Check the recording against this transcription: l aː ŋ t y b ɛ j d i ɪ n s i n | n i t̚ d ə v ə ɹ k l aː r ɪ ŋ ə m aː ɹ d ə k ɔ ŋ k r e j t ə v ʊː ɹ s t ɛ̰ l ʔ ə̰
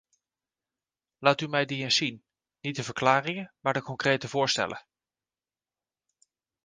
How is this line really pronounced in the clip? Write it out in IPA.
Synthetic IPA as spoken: l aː t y m ɛ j d i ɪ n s i n | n i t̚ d ə v ə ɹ k l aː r ɪ ŋ ə m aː ɹ d ə k ɔ ŋ k r e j t ə v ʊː ɹ s t ɛ̰ l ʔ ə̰